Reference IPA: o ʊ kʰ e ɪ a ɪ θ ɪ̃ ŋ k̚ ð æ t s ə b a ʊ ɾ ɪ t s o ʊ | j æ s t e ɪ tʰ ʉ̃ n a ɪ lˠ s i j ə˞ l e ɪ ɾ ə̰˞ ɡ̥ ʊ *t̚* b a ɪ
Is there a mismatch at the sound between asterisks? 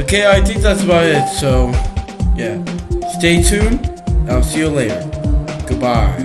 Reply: yes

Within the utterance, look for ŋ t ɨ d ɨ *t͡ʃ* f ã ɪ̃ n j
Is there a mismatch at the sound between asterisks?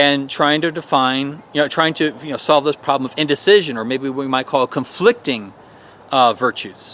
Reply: yes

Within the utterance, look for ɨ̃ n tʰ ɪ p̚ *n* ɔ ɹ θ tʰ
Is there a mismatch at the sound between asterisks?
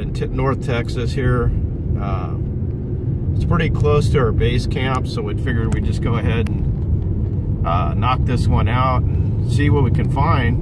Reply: no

